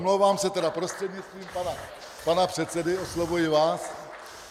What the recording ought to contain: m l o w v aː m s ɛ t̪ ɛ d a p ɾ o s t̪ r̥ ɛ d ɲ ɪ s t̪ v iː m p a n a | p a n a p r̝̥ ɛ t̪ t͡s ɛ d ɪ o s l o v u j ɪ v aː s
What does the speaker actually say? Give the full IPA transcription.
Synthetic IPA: m l o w v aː m s ɛ t̪ ɛ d a p ɾ o s t̪ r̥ ɛ d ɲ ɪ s t̪ v iː m p a n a | p a n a p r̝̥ ɛ t̪ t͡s ɛ d ɪ o s l o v u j ɪ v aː s